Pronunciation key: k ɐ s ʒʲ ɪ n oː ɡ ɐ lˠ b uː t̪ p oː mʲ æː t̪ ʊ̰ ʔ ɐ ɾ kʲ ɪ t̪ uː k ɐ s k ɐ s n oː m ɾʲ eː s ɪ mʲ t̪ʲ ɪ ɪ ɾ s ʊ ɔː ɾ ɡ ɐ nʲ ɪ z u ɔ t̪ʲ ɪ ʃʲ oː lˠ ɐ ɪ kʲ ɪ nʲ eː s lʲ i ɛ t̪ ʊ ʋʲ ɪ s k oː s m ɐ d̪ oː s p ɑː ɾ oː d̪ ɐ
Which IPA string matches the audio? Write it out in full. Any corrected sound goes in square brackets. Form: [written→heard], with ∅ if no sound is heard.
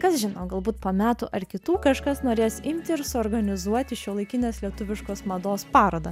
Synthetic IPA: k ɐ s ʒʲ ɪ n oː ɡ ɐ lˠ b uː t̪ p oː mʲ æː t̪ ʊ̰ ʔ ɐ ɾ kʲ ɪ t̪ uː k ɐ [s→ʃ] k ɐ s n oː [m→∅] ɾʲ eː s ɪ mʲ t̪ʲ ɪ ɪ ɾ s ʊ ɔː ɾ ɡ ɐ nʲ ɪ z u ɔ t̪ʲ ɪ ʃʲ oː lˠ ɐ ɪ kʲ ɪ nʲ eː s lʲ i ɛ t̪ ʊ ʋʲ ɪ [s→ʃ] k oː s m ɐ d̪ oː s p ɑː ɾ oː d̪ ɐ